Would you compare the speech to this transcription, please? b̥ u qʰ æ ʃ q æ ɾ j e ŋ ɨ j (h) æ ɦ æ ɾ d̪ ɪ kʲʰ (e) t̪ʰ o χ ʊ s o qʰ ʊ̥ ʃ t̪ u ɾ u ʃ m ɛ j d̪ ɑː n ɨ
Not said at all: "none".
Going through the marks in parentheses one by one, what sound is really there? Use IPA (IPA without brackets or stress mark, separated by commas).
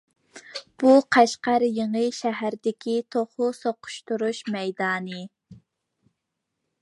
ʃ, i